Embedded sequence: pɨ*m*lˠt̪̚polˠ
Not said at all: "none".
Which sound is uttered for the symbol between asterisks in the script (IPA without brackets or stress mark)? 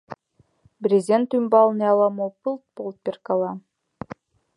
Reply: none